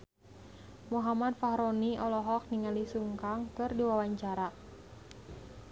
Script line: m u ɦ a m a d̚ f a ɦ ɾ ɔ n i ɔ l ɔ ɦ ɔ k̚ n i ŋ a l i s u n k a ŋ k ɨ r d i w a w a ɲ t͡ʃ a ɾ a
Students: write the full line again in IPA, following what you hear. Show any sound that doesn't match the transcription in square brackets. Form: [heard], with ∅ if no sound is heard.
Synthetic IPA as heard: m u ɦ a m a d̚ f a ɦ ɾ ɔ n i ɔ l ɔ ɦ ɔ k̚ n i ŋ a l i s u [ŋ] k a ŋ k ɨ r d i w a w a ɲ t͡ʃ a ɾ a